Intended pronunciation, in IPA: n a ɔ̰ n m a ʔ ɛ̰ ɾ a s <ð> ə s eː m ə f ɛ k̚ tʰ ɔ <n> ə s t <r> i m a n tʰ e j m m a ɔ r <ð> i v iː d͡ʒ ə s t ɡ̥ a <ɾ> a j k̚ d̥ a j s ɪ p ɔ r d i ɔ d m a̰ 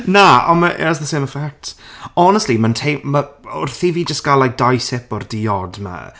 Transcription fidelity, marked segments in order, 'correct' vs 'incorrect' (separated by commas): correct, correct, incorrect, incorrect, incorrect